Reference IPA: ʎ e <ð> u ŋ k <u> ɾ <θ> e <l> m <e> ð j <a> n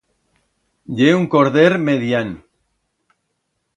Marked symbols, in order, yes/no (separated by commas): no, no, no, no, yes, yes